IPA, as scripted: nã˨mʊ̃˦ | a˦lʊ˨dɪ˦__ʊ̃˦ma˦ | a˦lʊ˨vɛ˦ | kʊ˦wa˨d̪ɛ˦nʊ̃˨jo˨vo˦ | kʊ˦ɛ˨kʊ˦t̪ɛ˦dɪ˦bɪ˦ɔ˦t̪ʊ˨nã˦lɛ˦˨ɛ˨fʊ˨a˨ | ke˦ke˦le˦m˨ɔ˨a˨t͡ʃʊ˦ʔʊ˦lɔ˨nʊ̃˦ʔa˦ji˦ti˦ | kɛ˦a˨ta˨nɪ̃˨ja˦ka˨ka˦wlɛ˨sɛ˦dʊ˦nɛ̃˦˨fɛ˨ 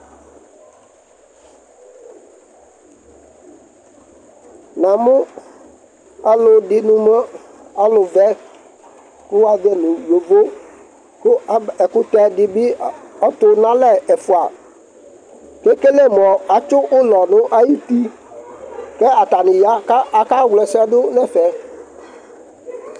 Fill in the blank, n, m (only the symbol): n